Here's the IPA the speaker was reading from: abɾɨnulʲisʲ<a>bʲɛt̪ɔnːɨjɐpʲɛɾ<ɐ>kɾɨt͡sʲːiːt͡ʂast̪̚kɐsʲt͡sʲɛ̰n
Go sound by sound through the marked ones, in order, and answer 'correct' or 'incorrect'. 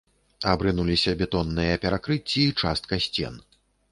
incorrect: ɐ, incorrect: a

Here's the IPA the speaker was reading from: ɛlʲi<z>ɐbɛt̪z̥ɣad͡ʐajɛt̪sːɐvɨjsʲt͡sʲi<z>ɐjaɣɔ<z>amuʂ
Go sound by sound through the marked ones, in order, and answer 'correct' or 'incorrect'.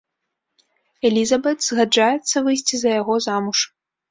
correct, correct, correct

